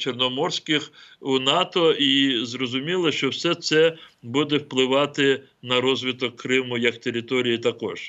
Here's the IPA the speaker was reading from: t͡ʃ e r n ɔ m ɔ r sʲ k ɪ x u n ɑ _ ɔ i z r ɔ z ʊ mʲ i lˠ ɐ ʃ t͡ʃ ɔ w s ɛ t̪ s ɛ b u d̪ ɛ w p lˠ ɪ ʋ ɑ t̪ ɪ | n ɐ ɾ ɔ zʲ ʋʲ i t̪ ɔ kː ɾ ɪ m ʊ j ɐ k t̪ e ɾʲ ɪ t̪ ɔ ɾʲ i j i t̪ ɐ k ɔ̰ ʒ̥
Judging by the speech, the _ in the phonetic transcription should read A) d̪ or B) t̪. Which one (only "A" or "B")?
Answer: B